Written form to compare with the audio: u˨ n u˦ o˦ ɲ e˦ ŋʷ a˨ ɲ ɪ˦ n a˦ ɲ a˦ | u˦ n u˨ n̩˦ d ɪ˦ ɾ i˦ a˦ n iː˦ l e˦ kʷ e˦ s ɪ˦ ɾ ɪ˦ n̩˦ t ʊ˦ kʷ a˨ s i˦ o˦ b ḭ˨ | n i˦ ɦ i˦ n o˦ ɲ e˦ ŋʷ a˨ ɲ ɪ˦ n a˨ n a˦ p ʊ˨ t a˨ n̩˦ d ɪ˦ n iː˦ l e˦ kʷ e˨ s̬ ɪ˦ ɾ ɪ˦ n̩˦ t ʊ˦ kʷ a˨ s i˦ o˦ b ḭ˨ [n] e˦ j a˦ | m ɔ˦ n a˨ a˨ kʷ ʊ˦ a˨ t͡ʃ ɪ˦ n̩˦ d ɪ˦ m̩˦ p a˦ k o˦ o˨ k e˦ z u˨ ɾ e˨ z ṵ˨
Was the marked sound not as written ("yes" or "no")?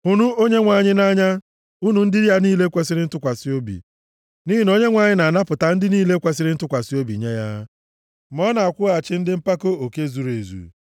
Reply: yes